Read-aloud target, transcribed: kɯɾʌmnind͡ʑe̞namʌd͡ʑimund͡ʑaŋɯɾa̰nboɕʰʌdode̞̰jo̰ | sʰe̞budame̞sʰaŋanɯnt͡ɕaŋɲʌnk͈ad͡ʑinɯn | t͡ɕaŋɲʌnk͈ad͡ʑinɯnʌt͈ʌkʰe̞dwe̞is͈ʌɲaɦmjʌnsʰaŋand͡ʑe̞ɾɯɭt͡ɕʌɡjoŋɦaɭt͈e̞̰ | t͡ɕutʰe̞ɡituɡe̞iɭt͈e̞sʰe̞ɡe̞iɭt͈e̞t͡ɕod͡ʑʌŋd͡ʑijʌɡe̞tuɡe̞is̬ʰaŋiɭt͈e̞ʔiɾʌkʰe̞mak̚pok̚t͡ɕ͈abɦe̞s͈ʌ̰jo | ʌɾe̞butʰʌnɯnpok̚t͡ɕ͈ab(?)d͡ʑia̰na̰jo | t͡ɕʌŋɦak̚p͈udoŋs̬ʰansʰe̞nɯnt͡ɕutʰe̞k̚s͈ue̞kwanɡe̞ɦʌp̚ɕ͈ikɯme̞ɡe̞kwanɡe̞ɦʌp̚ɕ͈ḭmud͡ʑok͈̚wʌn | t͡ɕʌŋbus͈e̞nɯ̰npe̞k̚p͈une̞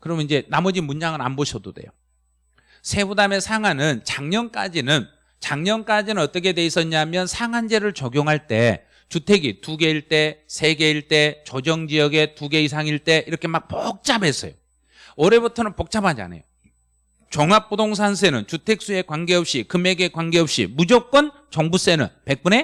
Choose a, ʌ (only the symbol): a